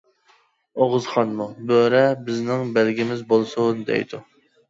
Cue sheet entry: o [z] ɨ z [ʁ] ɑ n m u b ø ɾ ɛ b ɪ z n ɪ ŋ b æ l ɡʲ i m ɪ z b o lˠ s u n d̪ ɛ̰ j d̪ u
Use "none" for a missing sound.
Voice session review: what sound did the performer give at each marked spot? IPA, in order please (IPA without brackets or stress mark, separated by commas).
ʁ, χ